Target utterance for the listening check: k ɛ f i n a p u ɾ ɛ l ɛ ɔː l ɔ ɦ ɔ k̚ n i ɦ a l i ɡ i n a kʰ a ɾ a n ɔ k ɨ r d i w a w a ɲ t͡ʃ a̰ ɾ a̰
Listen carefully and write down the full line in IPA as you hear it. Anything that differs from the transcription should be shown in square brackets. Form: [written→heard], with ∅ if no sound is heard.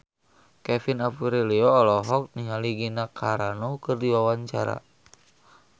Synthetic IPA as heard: k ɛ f i n a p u ɾ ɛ l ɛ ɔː l ɔ ɦ ɔ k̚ n i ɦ a l i ɡ i n a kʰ a ɾ a n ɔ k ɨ r d i w a w a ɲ t͡ʃ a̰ ɾ a̰